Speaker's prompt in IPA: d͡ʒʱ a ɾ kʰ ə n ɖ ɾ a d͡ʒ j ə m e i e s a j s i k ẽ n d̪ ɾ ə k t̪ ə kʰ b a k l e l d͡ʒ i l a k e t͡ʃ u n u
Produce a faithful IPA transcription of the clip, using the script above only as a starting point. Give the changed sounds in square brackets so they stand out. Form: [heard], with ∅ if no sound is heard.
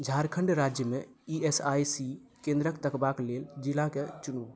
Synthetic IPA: d͡ʒʱ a ɾ kʰ ə [ɳ] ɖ ɾ a d͡ʒ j ə m e i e s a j s i k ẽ n d̪ ɾ ə k t̪ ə [k] b a k l e l d͡ʒ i l a k e t͡ʃ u n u